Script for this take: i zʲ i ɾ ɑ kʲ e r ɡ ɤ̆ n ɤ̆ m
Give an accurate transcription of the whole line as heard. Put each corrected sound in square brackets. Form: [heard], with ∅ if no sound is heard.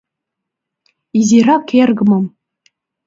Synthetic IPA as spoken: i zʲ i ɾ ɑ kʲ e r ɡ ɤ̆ [m] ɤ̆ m